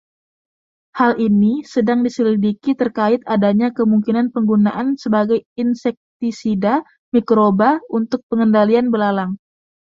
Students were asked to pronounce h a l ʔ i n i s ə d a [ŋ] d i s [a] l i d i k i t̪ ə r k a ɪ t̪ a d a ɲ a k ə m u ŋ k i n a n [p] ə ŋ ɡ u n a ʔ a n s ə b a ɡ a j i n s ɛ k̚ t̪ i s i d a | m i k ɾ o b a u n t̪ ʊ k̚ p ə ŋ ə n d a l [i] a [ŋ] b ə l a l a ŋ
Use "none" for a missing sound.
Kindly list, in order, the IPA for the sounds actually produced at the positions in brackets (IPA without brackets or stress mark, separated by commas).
ŋ, ə, p, i, n